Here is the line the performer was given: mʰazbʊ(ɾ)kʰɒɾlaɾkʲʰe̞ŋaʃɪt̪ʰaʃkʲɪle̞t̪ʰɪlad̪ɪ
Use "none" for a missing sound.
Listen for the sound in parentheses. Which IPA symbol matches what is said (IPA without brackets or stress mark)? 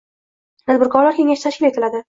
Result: ɾ